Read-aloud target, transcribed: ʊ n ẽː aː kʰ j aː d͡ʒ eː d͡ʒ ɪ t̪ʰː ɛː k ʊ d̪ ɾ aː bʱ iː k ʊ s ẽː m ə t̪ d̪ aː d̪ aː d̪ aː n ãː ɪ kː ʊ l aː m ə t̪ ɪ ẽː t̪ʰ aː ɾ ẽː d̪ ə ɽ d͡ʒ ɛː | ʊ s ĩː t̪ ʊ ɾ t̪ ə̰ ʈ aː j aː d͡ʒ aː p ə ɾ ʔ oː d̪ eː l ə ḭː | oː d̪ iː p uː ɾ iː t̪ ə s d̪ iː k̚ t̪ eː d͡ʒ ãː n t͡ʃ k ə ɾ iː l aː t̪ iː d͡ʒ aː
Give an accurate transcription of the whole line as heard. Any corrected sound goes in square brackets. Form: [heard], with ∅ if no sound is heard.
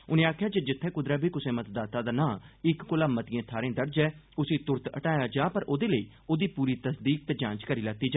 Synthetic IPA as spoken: ʊ n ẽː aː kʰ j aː d͡ʒ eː d͡ʒ ɪ t̪ʰː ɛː k ʊ d̪ ɾ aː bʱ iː k ʊ s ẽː m ə t̪ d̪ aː [t̪] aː d̪ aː n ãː ɪ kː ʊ l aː m ə t̪ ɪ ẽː t̪ʰ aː ɾ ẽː d̪ ə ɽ d͡ʒ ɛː | ʊ s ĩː t̪ ʊ ɾ t̪ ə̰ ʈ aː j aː d͡ʒ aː p ə ɾ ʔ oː d̪ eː l ə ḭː | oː d̪ iː p uː ɾ iː t̪ ə s d̪ iː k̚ t̪ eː d͡ʒ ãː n t͡ʃ k ə ɾ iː l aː t̪ iː d͡ʒ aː